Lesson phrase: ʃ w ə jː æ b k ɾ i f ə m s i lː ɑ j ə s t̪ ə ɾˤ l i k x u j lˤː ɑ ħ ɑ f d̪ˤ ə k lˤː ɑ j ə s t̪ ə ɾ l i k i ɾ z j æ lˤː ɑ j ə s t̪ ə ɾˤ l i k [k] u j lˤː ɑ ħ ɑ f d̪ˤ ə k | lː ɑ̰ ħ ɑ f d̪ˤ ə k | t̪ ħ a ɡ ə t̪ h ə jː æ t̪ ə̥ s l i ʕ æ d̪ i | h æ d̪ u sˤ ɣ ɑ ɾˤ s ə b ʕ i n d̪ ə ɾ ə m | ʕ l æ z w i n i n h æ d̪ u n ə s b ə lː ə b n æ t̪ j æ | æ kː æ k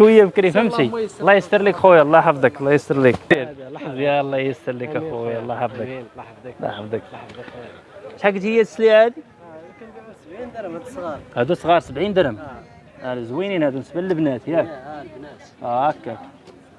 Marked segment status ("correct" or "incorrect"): incorrect